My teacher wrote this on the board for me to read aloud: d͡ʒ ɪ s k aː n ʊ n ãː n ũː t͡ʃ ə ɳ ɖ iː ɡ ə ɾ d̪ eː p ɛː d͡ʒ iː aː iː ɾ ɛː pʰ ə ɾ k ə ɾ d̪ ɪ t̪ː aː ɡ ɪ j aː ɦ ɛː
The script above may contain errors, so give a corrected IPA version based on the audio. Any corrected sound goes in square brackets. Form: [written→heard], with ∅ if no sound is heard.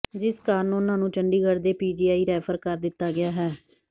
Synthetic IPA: d͡ʒ ɪ s k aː n ʊ n ãː n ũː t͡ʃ ə ɳ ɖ iː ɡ ə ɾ d̪ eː p [ɛː→iː] d͡ʒ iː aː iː ɾ ɛː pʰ ə ɾ k ə ɾ d̪ ɪ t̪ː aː ɡ ɪ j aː ɦ ɛː

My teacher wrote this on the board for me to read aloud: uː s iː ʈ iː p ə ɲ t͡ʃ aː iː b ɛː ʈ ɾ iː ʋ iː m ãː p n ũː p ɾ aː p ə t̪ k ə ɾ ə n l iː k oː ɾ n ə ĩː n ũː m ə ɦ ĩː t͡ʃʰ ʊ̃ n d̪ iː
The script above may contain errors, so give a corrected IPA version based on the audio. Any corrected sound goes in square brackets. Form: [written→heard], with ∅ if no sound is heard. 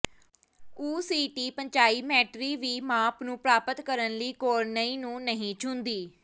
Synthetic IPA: uː s iː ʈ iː p ə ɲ t͡ʃ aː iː [b→m] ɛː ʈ ɾ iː ʋ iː m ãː p n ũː p ɾ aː p ə t̪ k ə ɾ ə n l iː k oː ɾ n ə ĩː n ũː [m→n] ə ɦ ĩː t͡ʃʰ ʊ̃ n d̪ iː

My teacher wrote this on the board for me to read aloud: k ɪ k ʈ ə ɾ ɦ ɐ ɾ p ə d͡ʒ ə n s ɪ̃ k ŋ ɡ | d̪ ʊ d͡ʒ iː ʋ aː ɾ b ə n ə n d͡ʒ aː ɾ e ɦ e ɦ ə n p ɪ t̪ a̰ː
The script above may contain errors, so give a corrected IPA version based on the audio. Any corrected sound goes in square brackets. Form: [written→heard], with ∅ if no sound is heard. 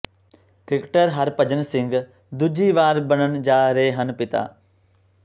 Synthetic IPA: k ɪ k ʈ ə ɾ ɦ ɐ ɾ p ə d͡ʒ ə n s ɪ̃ [k→∅] ŋ ɡ | d̪ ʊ d͡ʒ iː ʋ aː ɾ b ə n ə n d͡ʒ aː ɾ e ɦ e ɦ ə n p ɪ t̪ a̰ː

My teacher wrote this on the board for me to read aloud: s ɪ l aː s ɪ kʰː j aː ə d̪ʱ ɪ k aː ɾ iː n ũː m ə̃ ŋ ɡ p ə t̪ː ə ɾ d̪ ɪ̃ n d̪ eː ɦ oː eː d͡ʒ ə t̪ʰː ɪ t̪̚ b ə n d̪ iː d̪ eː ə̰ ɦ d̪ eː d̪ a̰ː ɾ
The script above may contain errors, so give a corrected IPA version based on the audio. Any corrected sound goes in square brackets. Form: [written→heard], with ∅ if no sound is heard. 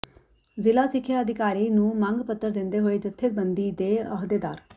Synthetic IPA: [s→z] ɪ l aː s ɪ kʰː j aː ə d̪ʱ ɪ k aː ɾ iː n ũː m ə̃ ŋ ɡ p ə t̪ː ə ɾ d̪ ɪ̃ n d̪ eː ɦ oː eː d͡ʒ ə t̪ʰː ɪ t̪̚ b ə n d̪ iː d̪ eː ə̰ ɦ d̪ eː d̪ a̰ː ɾ

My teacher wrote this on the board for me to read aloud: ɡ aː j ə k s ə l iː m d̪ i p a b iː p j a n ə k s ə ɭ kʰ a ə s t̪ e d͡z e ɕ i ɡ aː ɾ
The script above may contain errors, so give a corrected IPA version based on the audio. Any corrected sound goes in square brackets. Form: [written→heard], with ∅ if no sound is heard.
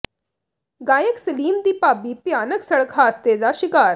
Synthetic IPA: ɡ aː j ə k s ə l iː m d̪ i p a b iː p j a n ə k s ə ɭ kʰ a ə s t̪ e d͡z [e→a] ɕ i [ɡ→k] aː ɾ

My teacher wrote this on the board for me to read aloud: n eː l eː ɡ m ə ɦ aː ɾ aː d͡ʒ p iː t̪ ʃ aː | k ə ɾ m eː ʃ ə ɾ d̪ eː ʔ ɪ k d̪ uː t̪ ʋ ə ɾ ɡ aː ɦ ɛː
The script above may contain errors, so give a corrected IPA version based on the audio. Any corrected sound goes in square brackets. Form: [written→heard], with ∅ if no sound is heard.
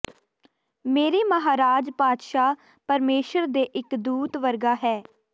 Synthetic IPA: [n→m] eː [l→ɾ] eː [ɡ→∅] m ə ɦ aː ɾ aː d͡ʒ p [iː→aː] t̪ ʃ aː | [k→p] ə ɾ m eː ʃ ə ɾ d̪ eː ʔ ɪ k d̪ uː t̪ ʋ ə ɾ ɡ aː ɦ ɛː

